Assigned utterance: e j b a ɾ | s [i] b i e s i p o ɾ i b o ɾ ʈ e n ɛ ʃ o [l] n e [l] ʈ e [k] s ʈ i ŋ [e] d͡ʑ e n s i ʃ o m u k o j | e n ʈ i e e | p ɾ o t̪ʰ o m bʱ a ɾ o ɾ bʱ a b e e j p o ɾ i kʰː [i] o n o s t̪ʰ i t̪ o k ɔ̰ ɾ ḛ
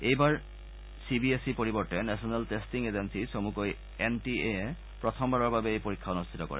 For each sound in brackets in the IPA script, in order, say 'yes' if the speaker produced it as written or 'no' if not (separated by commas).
yes, no, yes, no, yes, no